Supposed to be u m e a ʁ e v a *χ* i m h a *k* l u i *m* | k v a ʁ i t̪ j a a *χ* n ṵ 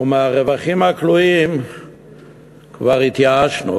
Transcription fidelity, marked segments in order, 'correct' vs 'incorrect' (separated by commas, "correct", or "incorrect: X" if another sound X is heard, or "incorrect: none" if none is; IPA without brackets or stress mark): correct, correct, correct, incorrect: ʃ